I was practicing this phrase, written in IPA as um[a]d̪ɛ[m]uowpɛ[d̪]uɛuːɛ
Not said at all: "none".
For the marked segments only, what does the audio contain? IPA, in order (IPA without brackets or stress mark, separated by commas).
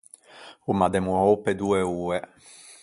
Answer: a, m, d̪